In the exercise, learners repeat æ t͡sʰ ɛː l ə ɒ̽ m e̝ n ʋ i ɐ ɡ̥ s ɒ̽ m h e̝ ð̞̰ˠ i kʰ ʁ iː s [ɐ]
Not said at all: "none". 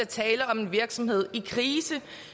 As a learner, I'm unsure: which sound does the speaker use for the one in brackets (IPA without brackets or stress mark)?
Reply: ə